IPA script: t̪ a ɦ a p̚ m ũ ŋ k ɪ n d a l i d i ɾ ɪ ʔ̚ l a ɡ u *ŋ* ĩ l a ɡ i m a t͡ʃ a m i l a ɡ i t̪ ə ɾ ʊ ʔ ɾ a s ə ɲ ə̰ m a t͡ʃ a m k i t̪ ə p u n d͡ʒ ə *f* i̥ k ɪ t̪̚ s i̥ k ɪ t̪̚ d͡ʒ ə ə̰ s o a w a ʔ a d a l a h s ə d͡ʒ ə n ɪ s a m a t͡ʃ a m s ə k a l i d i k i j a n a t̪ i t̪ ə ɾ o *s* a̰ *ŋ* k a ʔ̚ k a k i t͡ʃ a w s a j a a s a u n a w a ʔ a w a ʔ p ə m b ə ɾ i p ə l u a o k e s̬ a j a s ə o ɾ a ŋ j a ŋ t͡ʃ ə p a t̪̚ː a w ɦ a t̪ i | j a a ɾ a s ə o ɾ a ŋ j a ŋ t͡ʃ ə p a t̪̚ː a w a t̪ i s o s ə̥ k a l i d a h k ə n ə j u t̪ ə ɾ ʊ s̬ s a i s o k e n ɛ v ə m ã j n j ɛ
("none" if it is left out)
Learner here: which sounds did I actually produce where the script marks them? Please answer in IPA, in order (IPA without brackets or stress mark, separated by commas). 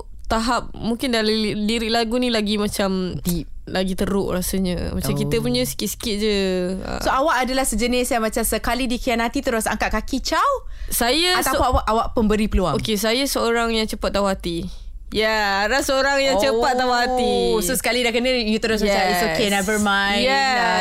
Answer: n, s, s, ŋ